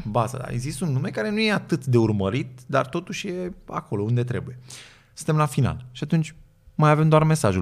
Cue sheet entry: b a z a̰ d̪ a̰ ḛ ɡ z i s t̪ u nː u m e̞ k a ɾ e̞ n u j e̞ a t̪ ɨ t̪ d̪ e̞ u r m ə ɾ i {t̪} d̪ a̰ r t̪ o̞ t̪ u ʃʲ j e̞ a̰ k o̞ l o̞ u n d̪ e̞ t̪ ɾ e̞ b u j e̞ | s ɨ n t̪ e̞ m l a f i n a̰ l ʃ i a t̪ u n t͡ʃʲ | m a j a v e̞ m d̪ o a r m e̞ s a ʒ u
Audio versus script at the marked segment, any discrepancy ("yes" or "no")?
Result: no